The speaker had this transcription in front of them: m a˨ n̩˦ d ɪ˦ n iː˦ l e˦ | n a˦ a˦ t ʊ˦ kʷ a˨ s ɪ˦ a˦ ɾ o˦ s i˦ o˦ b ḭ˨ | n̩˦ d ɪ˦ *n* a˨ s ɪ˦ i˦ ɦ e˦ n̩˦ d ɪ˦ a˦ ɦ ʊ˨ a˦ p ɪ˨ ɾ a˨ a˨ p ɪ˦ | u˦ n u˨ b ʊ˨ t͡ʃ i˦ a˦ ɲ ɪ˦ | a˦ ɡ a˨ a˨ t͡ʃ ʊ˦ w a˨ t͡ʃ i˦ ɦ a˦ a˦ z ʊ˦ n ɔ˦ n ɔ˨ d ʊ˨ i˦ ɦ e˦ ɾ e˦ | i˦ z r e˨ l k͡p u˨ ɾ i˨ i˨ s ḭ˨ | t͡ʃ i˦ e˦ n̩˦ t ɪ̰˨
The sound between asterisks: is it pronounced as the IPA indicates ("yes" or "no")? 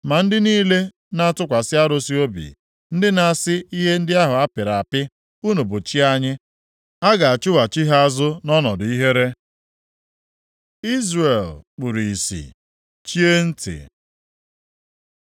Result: yes